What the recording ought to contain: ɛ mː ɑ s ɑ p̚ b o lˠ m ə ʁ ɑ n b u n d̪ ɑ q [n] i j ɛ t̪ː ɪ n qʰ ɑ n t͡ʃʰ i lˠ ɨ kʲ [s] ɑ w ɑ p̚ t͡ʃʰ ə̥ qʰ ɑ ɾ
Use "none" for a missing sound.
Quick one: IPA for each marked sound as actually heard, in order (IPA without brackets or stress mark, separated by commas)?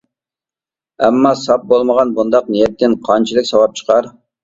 n, s